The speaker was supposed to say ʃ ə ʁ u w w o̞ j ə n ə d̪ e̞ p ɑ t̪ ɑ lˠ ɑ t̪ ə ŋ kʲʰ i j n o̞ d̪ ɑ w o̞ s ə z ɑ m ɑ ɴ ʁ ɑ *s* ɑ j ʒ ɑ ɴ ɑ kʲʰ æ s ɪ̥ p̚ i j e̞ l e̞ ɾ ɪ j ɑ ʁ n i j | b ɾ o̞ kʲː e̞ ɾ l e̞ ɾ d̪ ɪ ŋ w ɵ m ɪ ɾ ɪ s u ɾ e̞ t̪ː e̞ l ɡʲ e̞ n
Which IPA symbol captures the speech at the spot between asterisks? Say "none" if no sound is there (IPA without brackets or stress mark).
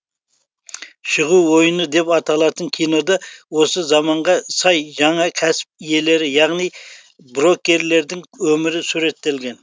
s